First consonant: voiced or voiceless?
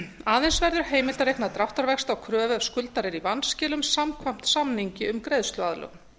voiced